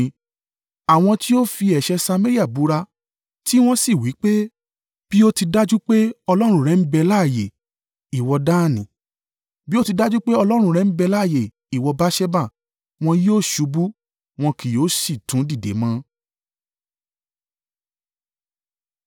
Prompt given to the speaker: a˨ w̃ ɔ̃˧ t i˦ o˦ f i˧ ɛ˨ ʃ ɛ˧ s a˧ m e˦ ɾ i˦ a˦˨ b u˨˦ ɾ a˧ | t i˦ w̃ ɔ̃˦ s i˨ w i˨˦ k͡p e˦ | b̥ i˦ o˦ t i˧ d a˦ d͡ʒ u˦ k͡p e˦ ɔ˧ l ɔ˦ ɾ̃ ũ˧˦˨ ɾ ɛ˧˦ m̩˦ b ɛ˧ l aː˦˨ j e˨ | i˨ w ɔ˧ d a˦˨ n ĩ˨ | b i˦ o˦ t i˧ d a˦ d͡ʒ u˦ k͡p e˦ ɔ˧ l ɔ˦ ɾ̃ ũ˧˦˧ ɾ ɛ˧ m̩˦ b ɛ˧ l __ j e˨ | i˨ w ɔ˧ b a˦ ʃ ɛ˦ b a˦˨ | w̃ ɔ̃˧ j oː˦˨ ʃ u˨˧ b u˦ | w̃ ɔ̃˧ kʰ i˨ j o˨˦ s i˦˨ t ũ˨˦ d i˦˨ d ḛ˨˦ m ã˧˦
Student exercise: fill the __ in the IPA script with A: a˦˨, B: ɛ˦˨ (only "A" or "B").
A